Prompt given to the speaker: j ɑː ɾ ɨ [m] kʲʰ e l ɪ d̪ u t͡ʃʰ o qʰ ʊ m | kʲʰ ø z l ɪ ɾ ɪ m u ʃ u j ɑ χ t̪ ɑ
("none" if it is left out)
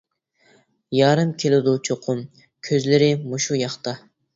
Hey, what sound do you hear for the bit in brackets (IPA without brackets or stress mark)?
m